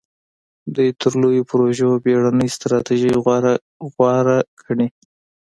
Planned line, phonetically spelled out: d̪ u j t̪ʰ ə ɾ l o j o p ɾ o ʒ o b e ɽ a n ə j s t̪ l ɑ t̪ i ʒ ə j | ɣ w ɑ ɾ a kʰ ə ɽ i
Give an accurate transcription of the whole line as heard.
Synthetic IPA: d̪ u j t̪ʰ ə ɾ l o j o p ɾ o ʒ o b e ɽ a n ə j s t̪ ɾ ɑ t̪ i ʒ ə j | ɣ w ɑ ɾ a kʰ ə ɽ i